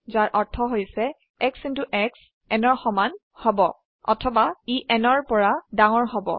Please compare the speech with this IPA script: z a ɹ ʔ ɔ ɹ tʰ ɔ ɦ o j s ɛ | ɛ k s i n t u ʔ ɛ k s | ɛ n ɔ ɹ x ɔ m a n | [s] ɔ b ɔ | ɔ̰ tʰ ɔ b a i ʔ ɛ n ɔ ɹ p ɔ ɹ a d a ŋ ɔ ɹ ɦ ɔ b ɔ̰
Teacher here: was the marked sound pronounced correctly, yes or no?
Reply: no